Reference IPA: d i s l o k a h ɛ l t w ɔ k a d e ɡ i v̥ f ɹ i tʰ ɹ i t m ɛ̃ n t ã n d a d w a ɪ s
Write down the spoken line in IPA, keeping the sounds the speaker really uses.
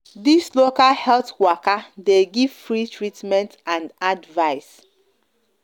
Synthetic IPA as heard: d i s l o k a h ɛ l t w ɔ k a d e ɡ i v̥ f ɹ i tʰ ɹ i t m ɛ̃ n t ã n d a d v a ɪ s